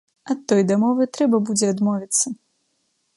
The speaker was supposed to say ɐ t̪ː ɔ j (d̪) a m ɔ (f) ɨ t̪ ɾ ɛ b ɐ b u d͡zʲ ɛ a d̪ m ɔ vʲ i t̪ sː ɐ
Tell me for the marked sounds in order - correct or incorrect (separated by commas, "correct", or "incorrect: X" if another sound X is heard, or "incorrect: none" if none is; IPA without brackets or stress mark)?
correct, incorrect: v